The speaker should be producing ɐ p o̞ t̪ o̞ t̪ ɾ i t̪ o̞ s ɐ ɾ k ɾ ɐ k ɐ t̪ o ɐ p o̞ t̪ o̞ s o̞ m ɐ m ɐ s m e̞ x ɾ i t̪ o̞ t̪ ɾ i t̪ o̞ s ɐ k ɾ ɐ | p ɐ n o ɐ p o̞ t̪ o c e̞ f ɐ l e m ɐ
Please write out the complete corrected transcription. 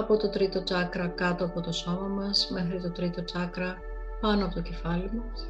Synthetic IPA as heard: ɐ p o̞ t̪ o̞ t̪ ɾ i t̪ o̞ t͡s ɐ k ɾ ɐ k ɐ t̪ o ɐ p o̞ t̪ o̞ s o̞ m ɐ m ɐ s m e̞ x ɾ i t̪ o̞ t̪ ɾ i t̪ o̞ t͡s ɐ k ɾ ɐ | p ɐ n o ɐ p o̞ t̪ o c e̞ f ɐ l i m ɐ